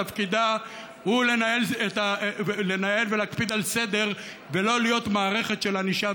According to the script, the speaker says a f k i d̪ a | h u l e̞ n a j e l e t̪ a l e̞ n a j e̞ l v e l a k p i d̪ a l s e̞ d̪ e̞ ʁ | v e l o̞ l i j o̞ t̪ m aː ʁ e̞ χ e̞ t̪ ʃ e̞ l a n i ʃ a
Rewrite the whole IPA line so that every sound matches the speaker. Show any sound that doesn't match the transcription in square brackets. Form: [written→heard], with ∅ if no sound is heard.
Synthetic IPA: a f k i d̪ a | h u l e̞ n a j e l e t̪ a l e̞ n a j e̞ l v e l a k p i d̪ a l s e̞ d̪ e̞ ʁ | v e l o̞ l i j o̞ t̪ m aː ʁ e̞ χ e̞ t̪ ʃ e̞ l a n i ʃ a